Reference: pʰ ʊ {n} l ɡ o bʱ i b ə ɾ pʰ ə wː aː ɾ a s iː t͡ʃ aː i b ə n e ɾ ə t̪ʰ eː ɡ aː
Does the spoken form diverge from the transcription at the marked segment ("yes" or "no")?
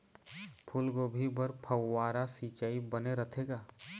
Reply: yes